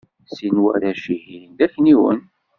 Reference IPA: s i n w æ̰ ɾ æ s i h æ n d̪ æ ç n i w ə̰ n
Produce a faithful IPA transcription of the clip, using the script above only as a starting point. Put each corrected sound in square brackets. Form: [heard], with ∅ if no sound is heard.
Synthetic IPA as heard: s i n w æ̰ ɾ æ [ʃ] i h [i] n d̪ æ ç n i w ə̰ n